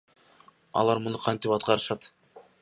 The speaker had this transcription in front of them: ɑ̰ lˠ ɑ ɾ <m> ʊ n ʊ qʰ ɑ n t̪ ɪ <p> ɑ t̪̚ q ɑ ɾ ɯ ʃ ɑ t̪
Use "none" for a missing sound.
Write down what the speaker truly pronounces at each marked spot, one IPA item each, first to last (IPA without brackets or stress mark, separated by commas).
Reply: m, p